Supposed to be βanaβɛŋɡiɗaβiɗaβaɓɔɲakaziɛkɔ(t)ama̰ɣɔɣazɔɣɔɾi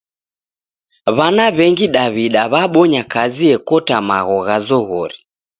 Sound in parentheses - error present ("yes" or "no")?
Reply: no